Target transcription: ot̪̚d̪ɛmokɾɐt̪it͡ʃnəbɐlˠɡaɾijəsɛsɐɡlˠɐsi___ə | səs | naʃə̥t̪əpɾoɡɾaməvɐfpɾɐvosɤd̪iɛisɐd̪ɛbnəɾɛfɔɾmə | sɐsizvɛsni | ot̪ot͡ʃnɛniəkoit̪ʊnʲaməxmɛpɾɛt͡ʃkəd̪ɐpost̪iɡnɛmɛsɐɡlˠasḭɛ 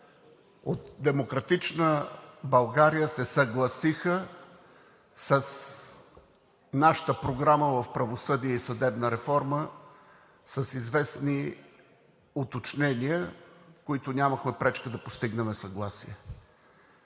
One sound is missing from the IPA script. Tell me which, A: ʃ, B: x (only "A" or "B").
B